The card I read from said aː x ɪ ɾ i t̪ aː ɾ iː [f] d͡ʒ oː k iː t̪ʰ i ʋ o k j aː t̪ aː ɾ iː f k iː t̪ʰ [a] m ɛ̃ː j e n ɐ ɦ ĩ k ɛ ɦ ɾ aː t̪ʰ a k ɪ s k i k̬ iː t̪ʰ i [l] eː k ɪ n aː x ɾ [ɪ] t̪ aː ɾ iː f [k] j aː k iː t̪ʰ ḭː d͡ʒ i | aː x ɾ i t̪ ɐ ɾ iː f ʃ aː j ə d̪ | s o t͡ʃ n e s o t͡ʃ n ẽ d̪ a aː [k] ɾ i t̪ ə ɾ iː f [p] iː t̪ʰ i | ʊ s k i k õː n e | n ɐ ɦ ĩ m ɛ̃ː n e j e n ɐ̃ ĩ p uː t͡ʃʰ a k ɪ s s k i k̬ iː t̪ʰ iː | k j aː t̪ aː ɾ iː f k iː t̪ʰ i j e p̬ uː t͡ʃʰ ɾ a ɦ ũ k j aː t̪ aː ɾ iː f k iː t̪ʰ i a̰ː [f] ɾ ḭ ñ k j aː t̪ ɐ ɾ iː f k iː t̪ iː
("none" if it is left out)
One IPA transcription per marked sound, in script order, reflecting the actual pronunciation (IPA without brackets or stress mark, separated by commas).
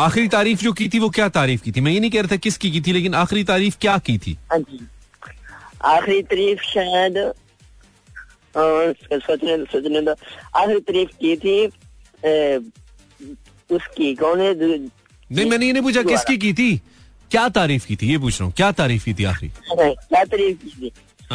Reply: f, i, l, i, k, x, k, x